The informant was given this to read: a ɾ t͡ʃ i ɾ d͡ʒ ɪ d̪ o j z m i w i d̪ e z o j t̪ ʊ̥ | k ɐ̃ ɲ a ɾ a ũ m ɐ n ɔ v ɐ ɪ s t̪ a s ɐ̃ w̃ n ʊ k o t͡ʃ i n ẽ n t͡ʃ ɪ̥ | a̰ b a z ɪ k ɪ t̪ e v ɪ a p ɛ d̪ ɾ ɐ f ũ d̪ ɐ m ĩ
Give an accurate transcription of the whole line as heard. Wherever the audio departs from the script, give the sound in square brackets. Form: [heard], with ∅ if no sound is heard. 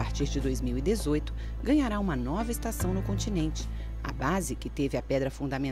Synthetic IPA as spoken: a ɾ t͡ʃ i ɾ d͡ʒ ɪ d̪ o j z m i w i d̪ e z o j t̪ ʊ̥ | [ɡ] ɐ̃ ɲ a ɾ a ũ m ɐ n ɔ v ɐ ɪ s t̪ a s ɐ̃ w̃ n ʊ k [õ] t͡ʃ i n ẽ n t͡ʃ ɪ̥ | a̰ b a z ɪ k ɪ t̪ e v ɪ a p ɛ d̪ ɾ ɐ f ũ d̪ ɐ m [ẽ]

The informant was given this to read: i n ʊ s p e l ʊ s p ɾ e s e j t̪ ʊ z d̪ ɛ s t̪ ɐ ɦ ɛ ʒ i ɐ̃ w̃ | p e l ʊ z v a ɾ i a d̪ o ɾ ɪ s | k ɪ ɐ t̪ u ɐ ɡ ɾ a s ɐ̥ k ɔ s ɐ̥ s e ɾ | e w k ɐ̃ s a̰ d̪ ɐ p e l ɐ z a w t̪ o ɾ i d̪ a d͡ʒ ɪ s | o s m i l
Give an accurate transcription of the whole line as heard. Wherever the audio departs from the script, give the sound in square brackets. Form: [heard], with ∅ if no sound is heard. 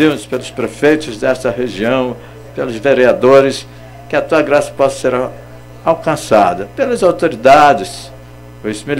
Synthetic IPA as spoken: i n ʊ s p e l ʊ s p ɾ e [f] e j t̪ ʊ z d̪ ɛ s t̪ ɐ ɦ [e] ʒ i ɐ̃ w̃ | p e l ʊ z v [e] ɾ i a d̪ o ɾ ɪ s | k ɪ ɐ t̪ u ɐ ɡ ɾ a s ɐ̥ [p] ɔ s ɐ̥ s e ɾ | [a] w k ɐ̃ s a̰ d̪ ɐ p e l ɐ z a w t̪ o ɾ i d̪ a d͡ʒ ɪ s | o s m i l

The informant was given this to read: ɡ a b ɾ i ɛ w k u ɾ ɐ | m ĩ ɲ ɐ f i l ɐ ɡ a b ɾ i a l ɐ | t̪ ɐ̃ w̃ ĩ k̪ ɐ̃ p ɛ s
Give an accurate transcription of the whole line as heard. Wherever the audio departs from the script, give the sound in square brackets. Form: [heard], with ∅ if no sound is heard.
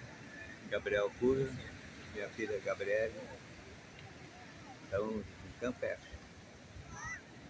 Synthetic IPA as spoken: ɡ a b ɾ i ɛ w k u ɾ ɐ | m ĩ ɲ ɐ f i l ɐ ɡ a b ɾ i [ɛ] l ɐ | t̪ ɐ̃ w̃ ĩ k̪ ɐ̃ p ɛ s

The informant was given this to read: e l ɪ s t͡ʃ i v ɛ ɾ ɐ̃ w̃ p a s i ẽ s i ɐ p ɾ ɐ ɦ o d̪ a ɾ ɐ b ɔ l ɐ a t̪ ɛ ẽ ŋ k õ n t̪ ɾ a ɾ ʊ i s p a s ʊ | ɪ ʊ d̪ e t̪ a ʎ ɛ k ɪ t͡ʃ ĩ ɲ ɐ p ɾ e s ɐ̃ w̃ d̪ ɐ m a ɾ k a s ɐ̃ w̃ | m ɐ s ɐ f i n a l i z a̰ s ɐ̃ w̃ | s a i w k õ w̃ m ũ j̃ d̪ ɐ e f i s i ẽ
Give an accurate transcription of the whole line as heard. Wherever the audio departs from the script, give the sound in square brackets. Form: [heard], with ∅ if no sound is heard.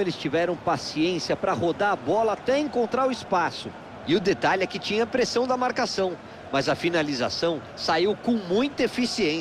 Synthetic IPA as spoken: e l ɪ s t͡ʃ i v ɛ ɾ ɐ̃ w̃ p a s i ẽ s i ɐ p ɾ ɐ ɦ o d̪ a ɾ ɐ b ɔ l ɐ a t̪ ɛ ẽ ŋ k õ n t̪ ɾ a ɾ ʊ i s p a s ʊ | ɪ ʊ d̪ e t̪ a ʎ ɛ k ɪ t͡ʃ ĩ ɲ ɐ p ɾ e s ɐ̃ w̃ d̪ ɐ m a ɾ k a s ɐ̃ w̃ | m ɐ [z] ɐ f i n a l i z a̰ s ɐ̃ w̃ | s a i w k õ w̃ m ũ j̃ [t̪] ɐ e f i s i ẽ

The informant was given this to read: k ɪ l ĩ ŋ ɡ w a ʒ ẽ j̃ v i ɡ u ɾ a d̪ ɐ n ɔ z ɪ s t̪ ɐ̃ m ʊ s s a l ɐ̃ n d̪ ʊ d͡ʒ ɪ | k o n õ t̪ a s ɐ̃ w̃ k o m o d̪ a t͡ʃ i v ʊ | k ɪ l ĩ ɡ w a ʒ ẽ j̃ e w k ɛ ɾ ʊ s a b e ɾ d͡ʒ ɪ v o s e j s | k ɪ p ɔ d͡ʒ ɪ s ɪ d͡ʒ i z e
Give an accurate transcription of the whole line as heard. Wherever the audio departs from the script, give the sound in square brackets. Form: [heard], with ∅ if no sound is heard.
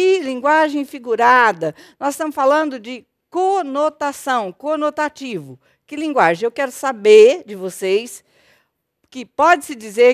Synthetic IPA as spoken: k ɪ l ĩ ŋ ɡ w a ʒ ẽ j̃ [f] i ɡ u ɾ a d̪ ɐ n ɔ z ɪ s t̪ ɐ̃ m ʊ s [f] a l ɐ̃ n d̪ ʊ d͡ʒ ɪ | k o n [o] t̪ a s ɐ̃ w̃ k o [n] o [t̪] a t͡ʃ i v ʊ | k ɪ l ĩ ɡ w a ʒ ẽ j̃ e w k ɛ ɾ ʊ s a b e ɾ d͡ʒ ɪ v o s e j s | k ɪ p ɔ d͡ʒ ɪ s ɪ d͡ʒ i z e

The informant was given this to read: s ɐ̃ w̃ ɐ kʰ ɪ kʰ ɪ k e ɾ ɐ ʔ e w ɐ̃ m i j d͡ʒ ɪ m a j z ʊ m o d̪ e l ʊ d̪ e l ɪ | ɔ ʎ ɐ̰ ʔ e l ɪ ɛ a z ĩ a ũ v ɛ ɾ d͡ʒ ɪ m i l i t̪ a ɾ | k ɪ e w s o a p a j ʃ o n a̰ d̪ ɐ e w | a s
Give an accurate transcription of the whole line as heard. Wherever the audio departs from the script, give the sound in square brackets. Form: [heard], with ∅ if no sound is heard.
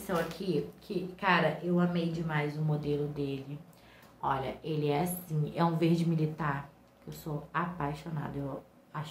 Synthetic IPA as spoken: s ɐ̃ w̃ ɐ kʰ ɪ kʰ ɪ k [a] ɾ ɐ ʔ e w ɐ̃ m [e] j d͡ʒ ɪ m a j z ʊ m o d̪ e l ʊ d̪ e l ɪ | ɔ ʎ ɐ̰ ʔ e l ɪ ɛ a [s] ĩ [ɛ] ũ v [e] ɾ d͡ʒ ɪ m i l i t̪ a ɾ | k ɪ e w s o a p a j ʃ o n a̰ d̪ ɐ e w | a [ʃ]

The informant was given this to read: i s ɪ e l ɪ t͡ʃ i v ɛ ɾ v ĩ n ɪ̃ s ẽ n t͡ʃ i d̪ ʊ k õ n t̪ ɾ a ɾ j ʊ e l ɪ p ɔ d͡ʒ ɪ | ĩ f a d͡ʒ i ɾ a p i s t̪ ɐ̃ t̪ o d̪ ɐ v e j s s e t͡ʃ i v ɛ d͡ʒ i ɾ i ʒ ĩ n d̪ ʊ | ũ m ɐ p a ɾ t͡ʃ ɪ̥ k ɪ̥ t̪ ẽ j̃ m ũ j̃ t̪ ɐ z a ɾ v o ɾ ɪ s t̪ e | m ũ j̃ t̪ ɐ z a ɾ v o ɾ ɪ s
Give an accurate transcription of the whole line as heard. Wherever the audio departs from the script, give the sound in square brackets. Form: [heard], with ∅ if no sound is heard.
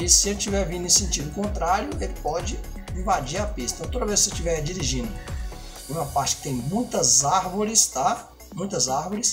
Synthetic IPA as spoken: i s ɪ e l ɪ t͡ʃ i v ɛ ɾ v ĩ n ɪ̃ s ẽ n t͡ʃ i d̪ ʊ k õ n t̪ ɾ a ɾ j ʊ e l ɪ p ɔ d͡ʒ ɪ | ĩ [v] a d͡ʒ i ɾ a p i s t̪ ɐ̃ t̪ o d̪ ɐ v e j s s e t͡ʃ i v ɛ d͡ʒ i ɾ i ʒ ĩ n d̪ ʊ | ũ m ɐ p a ɾ t͡ʃ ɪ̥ k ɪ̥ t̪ ẽ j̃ m ũ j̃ t̪ ɐ z a ɾ v o ɾ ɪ s t̪ [a] | m ũ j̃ t̪ ɐ z a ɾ v o ɾ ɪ s

